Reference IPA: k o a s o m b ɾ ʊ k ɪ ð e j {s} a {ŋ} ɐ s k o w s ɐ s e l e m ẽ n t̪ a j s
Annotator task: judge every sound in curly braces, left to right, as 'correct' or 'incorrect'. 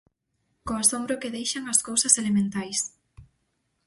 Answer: incorrect: ʃ, correct

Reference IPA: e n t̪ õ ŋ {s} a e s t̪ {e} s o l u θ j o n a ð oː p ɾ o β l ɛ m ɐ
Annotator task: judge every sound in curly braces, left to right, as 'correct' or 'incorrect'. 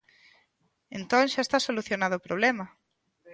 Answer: incorrect: ʃ, incorrect: a

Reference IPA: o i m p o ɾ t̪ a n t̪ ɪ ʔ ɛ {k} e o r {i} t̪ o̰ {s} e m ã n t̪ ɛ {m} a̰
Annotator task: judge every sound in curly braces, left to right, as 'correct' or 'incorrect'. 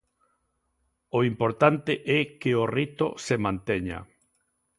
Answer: correct, correct, correct, incorrect: ɲ

